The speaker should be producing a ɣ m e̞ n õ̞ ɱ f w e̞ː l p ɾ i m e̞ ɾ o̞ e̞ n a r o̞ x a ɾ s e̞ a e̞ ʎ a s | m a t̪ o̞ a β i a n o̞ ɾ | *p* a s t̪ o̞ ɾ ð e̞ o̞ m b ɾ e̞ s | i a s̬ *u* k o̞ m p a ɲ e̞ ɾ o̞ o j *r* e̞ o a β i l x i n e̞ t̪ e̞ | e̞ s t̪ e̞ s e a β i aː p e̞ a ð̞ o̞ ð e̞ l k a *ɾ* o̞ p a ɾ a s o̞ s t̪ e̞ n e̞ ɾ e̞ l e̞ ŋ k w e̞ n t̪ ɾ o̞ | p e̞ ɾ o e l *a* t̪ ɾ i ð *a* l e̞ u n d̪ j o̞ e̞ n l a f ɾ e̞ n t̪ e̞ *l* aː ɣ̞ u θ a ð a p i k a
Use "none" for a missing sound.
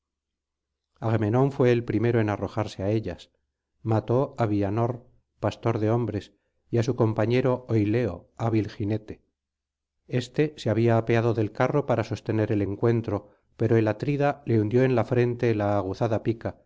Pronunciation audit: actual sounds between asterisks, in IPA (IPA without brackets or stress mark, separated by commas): p, u, l, r, a, a, l